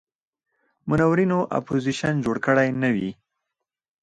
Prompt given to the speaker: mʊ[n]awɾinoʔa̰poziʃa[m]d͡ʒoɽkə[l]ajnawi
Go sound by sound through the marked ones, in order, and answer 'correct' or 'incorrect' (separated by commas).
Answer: correct, incorrect, incorrect